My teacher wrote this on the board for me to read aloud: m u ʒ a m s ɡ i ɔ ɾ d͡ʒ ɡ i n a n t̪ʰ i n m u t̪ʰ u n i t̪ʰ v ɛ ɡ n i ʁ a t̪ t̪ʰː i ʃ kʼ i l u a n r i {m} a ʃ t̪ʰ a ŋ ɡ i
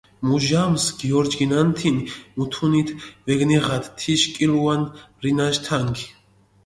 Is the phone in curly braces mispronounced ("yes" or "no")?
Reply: yes